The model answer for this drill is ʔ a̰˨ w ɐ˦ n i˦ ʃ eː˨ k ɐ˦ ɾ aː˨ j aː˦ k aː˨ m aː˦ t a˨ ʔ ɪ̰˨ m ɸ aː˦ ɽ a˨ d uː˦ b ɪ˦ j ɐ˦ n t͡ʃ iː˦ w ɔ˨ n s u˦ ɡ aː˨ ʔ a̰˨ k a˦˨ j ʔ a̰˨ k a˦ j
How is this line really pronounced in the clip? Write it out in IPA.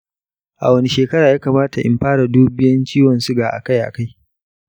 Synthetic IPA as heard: ʔ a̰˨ w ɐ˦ n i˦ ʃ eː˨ k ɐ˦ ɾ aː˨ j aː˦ k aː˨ m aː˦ t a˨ ʔ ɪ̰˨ m ɸ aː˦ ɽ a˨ d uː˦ b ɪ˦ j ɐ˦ n t͡ʃ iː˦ w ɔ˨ n s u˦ ɡ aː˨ ʔ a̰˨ k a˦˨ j ʔ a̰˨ k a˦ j